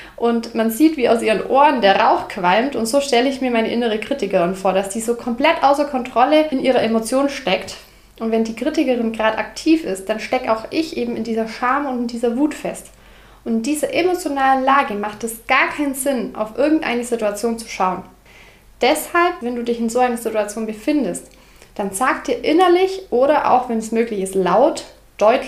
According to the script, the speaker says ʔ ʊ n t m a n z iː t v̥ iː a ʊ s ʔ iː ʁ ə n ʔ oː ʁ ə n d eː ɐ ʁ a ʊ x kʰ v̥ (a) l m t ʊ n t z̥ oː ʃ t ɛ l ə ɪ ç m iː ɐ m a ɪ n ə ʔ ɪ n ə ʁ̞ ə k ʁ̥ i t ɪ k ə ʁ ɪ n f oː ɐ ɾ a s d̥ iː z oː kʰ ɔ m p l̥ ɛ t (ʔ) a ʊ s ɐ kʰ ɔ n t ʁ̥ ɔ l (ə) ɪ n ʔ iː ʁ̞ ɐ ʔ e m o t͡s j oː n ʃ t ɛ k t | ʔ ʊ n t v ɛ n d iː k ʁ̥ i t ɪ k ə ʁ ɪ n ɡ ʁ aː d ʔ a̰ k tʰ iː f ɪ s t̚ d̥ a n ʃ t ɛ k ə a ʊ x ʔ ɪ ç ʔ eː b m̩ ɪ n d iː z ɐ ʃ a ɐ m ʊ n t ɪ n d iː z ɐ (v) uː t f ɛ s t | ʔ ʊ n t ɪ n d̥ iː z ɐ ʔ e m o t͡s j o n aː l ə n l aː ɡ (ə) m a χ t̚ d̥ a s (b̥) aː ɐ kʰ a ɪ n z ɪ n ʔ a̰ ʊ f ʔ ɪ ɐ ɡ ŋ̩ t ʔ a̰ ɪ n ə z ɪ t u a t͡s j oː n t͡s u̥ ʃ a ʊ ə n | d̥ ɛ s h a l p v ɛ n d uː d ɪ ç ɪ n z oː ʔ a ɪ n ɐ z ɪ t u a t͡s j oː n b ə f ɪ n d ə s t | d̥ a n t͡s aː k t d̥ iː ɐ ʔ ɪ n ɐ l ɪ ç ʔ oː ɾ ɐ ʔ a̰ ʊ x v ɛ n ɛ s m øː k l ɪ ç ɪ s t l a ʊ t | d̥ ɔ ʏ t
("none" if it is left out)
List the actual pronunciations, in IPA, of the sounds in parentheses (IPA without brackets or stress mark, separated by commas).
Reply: a, ʔ, ə, v, ə, ɡ̥